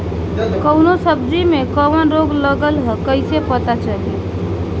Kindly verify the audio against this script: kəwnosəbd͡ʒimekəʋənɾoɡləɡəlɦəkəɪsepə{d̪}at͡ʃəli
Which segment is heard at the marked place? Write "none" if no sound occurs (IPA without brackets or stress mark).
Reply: t̪